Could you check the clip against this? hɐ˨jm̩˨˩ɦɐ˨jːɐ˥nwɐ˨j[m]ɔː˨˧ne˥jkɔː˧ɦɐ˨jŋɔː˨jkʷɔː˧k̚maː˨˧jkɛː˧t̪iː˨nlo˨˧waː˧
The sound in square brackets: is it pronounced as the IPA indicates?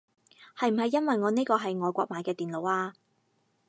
no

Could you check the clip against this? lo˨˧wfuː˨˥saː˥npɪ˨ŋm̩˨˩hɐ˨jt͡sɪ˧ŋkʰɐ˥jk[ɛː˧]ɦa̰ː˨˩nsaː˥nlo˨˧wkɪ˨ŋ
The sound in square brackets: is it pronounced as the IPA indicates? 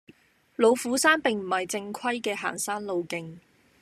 yes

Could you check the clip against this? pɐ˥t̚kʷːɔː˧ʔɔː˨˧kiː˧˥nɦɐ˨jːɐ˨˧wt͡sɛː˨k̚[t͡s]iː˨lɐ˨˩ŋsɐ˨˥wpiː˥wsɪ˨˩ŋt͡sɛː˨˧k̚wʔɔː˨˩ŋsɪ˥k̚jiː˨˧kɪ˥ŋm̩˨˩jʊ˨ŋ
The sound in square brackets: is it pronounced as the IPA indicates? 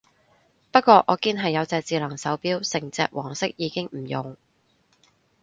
yes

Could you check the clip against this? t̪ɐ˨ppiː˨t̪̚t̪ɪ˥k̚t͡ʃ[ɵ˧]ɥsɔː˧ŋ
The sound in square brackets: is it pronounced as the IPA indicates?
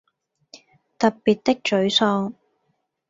no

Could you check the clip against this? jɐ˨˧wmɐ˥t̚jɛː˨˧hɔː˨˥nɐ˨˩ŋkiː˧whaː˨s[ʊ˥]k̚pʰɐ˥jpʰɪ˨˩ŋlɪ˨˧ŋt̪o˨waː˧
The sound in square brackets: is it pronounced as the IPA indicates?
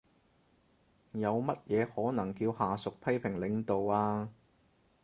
no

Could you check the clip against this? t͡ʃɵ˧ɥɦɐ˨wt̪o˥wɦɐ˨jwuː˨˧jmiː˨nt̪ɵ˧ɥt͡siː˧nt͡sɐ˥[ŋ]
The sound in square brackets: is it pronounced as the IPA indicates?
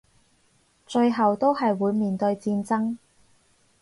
yes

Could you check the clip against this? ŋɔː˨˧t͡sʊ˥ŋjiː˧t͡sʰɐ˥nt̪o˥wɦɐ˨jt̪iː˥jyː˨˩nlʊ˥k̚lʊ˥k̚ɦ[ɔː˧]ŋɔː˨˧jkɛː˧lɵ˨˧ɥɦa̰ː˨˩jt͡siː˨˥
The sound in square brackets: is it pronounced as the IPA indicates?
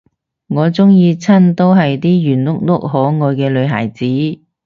no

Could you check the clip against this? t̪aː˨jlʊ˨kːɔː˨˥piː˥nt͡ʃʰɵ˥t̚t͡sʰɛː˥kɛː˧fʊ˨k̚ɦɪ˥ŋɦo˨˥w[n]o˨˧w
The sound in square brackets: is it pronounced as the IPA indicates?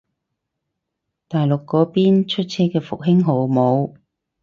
no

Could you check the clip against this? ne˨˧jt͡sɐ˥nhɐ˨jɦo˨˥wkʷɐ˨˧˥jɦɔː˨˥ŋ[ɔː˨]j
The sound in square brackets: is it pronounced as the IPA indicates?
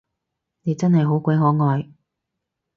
yes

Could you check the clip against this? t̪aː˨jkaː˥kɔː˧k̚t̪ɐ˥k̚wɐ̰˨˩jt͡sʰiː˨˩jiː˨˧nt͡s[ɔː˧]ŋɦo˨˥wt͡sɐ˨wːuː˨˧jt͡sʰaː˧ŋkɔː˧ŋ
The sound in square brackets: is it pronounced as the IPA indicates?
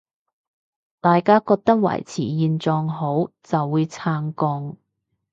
yes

